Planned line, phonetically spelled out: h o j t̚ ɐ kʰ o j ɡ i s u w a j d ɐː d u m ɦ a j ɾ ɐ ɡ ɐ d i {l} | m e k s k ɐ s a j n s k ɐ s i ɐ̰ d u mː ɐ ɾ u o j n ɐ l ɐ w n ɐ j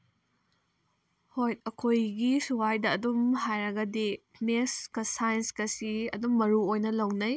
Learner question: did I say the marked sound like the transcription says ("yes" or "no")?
no